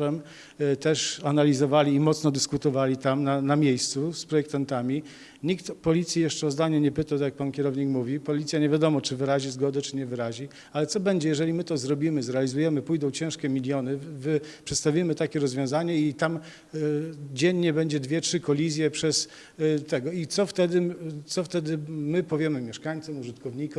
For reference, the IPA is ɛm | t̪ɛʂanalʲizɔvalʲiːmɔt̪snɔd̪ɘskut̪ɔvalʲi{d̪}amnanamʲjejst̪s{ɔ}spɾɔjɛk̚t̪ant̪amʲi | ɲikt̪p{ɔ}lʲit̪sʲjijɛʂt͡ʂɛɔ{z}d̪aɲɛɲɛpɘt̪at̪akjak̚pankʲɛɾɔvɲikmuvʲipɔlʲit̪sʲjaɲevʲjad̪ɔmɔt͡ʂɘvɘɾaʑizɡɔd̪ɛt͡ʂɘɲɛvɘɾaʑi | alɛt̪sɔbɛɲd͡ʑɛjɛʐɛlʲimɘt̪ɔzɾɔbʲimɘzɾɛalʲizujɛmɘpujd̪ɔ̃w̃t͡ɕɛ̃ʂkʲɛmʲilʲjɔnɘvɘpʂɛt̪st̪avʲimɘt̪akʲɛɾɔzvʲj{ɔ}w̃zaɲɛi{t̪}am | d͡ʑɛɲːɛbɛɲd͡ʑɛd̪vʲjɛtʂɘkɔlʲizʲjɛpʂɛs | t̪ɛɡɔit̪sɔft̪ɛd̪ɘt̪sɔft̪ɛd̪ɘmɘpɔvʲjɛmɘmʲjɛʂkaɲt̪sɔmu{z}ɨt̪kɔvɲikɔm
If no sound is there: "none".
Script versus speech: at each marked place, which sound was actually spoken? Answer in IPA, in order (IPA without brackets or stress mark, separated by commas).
t̪, u, ɔ, z, ɔ̃, t̪, ʐ